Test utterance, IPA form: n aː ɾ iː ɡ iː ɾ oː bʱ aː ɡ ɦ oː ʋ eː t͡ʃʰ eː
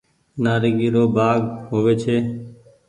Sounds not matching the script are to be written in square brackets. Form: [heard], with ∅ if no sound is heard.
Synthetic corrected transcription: n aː ɾ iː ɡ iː ɾ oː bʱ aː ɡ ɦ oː ʋ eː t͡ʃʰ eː